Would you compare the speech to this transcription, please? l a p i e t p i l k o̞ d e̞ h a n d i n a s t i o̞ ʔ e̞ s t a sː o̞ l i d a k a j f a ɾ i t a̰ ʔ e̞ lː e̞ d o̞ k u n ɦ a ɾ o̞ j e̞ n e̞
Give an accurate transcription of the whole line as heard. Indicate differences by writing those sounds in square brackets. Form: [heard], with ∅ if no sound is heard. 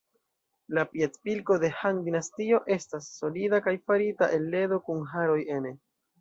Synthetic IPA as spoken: l a p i e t p i l k o̞ d e̞ h a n d i n a s t i o̞ ʔ e̞ s t a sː o̞ l i d a k a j f a ɾ i t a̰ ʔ e̞ lː e̞ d o̞ k u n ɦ a ɾ o̞ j e̞ n e̞